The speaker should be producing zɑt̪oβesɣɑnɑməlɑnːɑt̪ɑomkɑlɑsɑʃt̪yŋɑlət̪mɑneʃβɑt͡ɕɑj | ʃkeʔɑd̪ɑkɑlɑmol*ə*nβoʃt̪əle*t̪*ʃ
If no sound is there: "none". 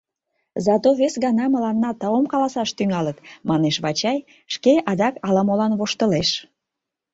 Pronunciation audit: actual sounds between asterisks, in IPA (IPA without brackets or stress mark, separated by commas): ɑ, none